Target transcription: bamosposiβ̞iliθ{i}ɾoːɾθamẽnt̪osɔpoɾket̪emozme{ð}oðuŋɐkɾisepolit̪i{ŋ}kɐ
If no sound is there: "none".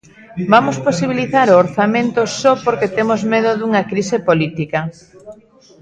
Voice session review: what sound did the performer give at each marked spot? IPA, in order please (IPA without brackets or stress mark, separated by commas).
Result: a, ð, none